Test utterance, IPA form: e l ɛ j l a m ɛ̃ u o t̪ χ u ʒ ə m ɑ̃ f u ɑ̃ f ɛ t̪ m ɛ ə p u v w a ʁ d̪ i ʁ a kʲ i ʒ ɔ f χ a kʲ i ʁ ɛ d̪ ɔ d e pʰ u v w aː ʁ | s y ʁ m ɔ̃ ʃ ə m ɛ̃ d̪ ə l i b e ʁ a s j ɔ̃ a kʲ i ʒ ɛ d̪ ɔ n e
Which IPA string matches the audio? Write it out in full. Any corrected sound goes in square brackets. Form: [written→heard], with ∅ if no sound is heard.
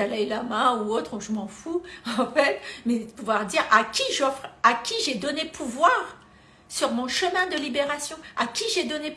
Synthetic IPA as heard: [e→a] l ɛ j l a m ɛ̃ u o t̪ χ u ʒ ə m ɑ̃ f u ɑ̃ f ɛ t̪ m ɛ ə p u v w a ʁ d̪ i ʁ a kʲ i ʒ ɔ f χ a kʲ i [ʁ→ʒ] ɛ d̪ ɔ [d→n] e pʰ u v w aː ʁ | s y ʁ m ɔ̃ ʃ ə m ɛ̃ d̪ ə l i b e ʁ a s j ɔ̃ a kʲ i ʒ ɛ d̪ ɔ n e